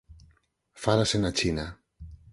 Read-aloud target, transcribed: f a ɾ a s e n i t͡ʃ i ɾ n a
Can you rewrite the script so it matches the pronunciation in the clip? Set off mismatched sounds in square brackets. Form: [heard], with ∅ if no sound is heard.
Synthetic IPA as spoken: f a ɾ a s e n [a] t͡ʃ i [∅] n a